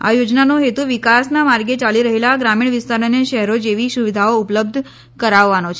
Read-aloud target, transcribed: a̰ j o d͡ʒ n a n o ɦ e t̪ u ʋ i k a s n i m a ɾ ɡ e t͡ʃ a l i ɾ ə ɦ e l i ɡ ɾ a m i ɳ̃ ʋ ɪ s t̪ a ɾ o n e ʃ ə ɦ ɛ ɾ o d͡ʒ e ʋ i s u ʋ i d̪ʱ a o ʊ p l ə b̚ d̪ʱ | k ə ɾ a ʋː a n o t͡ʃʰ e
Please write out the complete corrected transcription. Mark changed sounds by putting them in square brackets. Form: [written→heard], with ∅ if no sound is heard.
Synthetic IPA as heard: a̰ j o d͡ʒ n a n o ɦ e t̪ u ʋ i k a s n [i→a] m a ɾ ɡ e t͡ʃ a l i ɾ ə ɦ e l [i→a] ɡ ɾ a m i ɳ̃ ʋ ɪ s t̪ a ɾ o n e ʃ ə ɦ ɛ ɾ o d͡ʒ e ʋ i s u ʋ i d̪ʱ a o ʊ p l ə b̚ d̪ʱ | k ə ɾ a ʋː a n o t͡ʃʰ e